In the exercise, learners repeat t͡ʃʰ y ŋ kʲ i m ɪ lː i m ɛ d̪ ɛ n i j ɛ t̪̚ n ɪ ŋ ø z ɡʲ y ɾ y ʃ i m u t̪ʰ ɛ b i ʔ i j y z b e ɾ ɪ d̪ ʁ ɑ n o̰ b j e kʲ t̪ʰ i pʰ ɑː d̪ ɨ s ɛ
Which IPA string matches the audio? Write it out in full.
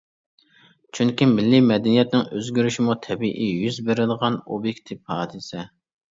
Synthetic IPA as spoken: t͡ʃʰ y ŋ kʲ i m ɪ lː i m ɛ d̪ ɛ n i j ɛ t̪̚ n ɪ ŋ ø z ɡʲ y ɾ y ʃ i m u t̪ʰ ɛ b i ʔ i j y z b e ɾ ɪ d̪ ʁ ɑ n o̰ b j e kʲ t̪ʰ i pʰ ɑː d̪ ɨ s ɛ